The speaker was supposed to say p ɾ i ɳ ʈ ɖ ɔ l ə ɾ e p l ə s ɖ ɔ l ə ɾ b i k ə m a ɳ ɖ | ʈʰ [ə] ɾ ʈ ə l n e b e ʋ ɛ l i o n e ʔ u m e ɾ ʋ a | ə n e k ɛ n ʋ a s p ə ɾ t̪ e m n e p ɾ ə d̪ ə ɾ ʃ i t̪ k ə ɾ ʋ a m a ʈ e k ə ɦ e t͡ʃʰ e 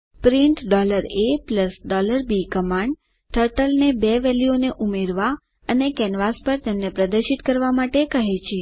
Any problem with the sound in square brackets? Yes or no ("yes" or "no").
no